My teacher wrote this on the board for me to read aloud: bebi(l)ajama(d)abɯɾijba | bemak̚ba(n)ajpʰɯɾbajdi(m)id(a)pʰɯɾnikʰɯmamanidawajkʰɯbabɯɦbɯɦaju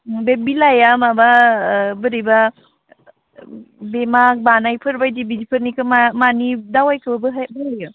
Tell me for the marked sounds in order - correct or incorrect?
correct, incorrect, correct, incorrect, incorrect

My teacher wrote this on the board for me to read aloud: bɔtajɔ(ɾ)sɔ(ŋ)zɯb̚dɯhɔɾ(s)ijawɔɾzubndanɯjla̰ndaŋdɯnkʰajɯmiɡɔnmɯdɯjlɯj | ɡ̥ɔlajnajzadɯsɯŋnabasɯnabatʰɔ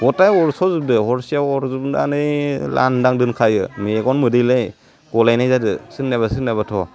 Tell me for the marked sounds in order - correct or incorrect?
correct, incorrect, correct

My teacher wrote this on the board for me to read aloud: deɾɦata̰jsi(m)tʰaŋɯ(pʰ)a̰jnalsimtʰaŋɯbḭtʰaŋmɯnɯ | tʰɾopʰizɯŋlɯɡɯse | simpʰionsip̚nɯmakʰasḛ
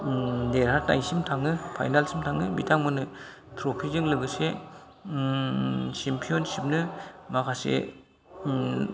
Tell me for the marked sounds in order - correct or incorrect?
correct, correct

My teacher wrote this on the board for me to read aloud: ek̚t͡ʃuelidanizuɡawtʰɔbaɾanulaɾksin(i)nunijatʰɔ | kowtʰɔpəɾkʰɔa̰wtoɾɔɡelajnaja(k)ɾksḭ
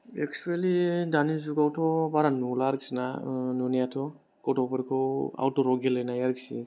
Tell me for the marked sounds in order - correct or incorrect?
incorrect, incorrect

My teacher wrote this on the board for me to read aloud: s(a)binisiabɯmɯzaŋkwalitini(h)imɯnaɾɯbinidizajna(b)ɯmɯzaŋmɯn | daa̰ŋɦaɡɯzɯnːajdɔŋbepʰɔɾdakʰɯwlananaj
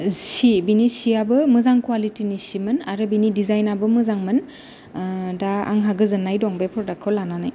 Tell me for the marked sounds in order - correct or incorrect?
incorrect, incorrect, correct

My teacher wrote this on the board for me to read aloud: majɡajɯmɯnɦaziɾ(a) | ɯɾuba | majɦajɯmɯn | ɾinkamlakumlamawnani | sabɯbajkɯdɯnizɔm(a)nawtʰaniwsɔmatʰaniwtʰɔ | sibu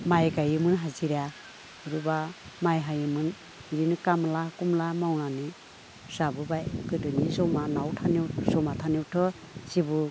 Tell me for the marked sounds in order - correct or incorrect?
correct, correct

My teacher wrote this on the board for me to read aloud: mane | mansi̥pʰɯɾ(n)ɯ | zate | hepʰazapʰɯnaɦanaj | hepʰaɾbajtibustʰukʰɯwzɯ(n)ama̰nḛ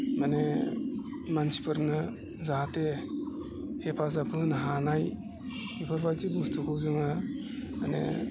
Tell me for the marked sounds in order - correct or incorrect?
correct, incorrect

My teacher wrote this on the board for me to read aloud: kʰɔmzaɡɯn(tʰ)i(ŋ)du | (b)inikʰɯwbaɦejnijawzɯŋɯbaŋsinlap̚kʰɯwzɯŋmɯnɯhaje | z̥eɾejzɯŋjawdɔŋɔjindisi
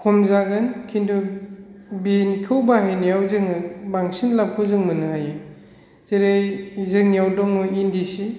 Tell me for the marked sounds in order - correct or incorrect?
incorrect, incorrect, correct

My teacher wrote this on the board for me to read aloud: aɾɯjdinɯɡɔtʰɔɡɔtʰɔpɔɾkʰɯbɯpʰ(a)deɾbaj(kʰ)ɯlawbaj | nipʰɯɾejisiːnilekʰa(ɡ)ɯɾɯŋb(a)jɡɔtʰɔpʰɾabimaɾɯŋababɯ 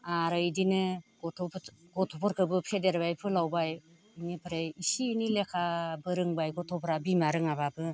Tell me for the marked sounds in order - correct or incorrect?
incorrect, incorrect, incorrect, correct

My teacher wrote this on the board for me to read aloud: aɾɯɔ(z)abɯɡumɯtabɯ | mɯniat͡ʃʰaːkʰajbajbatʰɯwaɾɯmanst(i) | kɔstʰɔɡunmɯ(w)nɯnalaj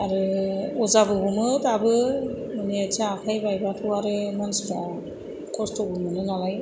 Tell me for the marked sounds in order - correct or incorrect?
correct, incorrect, incorrect

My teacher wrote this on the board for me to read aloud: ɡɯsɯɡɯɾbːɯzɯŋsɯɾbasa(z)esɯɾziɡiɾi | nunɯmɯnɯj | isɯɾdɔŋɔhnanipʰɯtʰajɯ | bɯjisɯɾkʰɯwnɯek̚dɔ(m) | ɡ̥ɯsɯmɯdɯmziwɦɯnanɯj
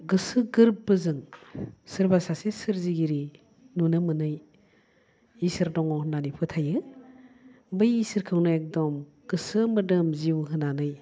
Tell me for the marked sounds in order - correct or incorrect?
incorrect, correct

